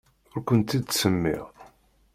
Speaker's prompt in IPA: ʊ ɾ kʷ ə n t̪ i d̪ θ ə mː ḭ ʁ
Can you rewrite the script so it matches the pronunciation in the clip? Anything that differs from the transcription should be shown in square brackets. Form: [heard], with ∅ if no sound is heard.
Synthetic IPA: ʊ ɾ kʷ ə n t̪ i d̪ [s] ə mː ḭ ʁ